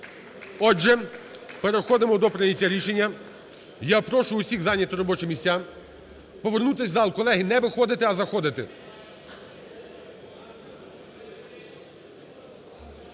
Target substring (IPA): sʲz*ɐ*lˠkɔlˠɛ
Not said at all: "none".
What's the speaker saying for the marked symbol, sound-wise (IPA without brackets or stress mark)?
ɑ